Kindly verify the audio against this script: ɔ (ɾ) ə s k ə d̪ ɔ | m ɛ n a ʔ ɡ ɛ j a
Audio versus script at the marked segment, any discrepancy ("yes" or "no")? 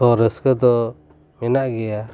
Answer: no